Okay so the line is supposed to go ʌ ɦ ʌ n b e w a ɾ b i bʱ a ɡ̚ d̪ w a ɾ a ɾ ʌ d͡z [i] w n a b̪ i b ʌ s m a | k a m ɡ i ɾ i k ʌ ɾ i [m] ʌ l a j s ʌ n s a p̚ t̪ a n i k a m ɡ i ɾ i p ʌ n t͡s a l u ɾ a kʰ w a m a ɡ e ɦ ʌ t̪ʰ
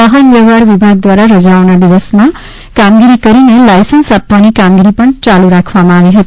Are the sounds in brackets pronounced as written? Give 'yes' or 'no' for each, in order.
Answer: no, no

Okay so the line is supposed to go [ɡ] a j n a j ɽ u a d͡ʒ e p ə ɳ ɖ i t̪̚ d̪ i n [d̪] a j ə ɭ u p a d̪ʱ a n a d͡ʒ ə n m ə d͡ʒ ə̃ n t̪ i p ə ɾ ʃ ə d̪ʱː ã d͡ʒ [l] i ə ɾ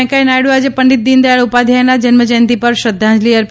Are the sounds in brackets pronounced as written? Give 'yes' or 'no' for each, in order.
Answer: no, yes, yes

